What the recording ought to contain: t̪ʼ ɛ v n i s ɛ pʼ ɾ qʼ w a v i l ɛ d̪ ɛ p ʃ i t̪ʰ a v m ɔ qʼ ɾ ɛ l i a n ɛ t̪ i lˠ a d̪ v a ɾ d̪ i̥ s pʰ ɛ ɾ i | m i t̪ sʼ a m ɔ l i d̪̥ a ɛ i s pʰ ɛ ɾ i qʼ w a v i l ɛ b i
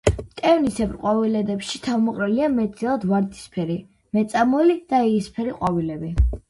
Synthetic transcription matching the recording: t̪ʼ ɛ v n i s ɛ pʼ ɾ qʼ w a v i l ɛ d̪ ɛ p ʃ i t̪ʰ a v m ɔ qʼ ɾ ɛ l i a m ɛ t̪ i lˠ a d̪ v a ɾ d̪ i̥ s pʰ ɛ ɾ i | m ɛ t̪ sʼ a m ɔ l i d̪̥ a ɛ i s pʰ ɛ ɾ i qʼ w a v i l ɛ b i